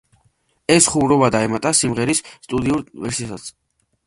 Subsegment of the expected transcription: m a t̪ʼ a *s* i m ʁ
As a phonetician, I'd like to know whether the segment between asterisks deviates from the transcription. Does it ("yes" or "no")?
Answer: no